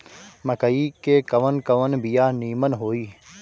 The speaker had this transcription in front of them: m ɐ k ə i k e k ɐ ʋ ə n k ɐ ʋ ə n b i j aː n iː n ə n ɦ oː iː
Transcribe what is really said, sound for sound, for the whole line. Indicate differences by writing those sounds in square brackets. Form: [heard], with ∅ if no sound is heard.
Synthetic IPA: m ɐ k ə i k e k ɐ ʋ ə n k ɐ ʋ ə n b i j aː n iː [m] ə n ɦ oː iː